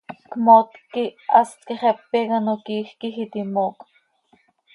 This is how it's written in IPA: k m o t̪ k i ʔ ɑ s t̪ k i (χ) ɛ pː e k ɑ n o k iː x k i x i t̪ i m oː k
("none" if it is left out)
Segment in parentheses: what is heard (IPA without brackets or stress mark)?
χ